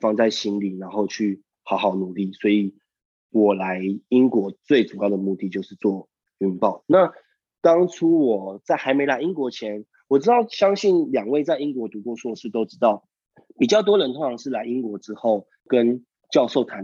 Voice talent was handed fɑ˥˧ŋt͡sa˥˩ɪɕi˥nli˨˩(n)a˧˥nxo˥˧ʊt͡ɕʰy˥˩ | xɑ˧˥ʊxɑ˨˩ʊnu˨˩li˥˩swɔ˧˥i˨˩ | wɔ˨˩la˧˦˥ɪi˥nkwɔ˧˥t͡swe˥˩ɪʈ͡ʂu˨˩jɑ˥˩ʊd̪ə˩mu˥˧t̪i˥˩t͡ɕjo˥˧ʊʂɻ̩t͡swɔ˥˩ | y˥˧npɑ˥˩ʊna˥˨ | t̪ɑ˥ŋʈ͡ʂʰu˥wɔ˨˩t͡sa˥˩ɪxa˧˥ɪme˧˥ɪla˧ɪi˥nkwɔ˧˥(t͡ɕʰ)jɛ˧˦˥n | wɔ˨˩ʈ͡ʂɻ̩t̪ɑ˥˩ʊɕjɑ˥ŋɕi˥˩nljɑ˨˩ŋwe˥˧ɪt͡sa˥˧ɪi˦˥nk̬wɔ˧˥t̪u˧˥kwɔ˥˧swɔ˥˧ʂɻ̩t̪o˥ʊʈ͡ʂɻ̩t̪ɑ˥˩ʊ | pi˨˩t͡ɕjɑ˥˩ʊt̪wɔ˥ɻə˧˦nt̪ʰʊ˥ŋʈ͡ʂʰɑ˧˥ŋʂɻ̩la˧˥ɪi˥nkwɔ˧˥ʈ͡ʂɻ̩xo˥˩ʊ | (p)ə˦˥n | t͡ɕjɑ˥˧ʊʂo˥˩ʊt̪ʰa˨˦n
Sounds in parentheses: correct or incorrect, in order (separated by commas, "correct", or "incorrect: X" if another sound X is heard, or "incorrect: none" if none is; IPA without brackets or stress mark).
correct, correct, incorrect: k